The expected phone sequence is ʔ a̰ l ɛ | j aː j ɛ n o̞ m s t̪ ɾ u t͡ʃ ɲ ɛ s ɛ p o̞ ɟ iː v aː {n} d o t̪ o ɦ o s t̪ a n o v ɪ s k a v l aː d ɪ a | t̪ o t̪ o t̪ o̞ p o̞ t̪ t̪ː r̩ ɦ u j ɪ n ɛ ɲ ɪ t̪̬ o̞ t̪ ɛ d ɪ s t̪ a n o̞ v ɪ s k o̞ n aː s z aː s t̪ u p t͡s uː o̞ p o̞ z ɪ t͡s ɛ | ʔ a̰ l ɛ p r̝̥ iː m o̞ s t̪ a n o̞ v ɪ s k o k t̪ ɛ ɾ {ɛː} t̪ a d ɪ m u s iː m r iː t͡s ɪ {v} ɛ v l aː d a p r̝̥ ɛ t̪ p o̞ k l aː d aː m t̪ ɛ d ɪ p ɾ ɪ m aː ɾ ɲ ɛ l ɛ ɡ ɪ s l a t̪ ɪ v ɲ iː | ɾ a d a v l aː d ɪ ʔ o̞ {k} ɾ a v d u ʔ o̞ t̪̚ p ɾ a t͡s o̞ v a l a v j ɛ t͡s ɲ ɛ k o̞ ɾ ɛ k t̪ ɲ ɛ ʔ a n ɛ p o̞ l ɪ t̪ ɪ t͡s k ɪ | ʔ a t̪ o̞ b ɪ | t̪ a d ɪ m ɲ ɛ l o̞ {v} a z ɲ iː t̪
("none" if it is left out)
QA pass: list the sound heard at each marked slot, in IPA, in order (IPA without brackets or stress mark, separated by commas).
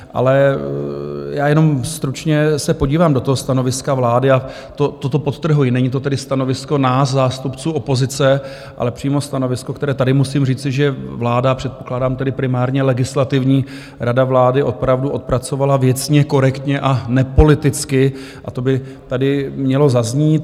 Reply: m, ɛː, ʒ, p, z